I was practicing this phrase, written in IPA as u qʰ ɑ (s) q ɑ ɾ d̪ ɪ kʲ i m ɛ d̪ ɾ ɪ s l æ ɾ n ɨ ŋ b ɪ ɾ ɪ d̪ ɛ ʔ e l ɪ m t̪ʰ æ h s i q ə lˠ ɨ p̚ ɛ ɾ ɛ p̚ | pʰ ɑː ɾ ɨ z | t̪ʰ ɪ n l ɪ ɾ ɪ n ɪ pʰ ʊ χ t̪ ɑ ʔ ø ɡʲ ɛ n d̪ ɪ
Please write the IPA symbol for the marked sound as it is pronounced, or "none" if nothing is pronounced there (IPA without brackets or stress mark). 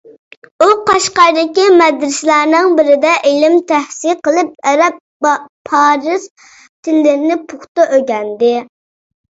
ʃ